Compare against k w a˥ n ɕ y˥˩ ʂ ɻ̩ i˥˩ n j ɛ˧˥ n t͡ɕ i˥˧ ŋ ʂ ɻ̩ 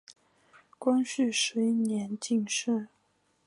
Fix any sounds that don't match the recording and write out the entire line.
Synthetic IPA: k w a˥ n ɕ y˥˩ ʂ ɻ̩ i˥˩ n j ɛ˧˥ n t͡ɕ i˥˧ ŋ ʂ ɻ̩